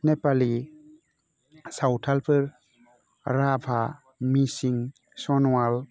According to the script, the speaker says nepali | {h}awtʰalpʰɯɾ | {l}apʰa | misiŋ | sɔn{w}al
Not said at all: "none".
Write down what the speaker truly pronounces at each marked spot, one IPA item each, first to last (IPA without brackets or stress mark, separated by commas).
s, ɾ, w